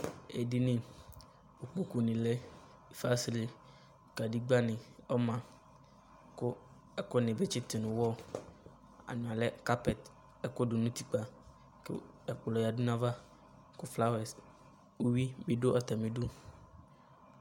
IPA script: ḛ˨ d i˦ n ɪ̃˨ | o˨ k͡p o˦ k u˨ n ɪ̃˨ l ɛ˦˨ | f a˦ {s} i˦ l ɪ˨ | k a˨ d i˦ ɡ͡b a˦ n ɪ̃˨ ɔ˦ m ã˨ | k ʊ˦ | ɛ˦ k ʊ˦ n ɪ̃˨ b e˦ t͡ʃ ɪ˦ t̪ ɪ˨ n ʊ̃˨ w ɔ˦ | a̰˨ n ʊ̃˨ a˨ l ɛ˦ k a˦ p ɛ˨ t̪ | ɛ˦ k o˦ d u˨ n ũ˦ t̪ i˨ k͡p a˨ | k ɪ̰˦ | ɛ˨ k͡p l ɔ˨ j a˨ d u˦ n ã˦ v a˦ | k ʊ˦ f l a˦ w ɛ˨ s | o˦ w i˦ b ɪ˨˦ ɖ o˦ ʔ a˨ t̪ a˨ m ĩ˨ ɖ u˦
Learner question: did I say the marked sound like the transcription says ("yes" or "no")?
yes